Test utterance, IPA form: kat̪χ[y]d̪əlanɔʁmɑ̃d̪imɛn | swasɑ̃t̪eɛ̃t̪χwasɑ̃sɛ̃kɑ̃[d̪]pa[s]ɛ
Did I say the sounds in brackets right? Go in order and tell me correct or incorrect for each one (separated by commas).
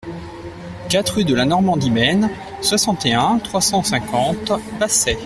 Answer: correct, incorrect, correct